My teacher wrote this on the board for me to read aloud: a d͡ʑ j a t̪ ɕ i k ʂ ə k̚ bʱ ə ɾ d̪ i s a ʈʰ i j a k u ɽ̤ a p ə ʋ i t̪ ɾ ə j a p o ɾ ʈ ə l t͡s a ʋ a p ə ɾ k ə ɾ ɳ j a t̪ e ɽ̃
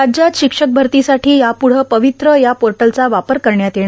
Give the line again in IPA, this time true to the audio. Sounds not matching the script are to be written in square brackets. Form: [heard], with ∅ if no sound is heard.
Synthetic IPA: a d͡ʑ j a t̪ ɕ i k ʂ ə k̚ bʱ ə ɾ [t̪] i s a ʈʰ [iː] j a [p] u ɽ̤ [ə] p ə ʋ i t̪ ɾ ə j a p o ɾ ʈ ə l t͡s a ʋ a p ə ɾ k ə ɾ ɳ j a t̪ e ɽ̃